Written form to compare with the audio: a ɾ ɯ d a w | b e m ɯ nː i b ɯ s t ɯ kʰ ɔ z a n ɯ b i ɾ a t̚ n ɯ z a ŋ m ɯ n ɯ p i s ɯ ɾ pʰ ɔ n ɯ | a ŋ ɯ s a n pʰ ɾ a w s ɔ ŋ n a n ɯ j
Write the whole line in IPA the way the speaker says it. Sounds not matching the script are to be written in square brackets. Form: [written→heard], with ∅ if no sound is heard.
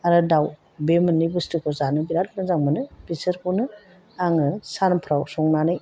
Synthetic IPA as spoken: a ɾ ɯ d a w | b e m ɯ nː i b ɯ s t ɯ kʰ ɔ z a n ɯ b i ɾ a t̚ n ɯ z a ŋ m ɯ n ɯ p i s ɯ ɾ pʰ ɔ n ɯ | a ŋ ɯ s a n pʰ ɾ a w s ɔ ŋ n a n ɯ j